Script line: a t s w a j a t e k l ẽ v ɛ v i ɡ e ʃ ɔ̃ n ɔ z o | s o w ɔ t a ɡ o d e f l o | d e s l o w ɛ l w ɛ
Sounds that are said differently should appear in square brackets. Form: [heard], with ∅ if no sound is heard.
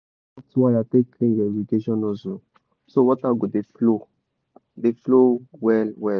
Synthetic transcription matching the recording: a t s w a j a t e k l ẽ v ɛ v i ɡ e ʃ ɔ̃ n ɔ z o | s o w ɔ t a ɡ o d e f l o | d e [f] l o w ɛ l w ɛ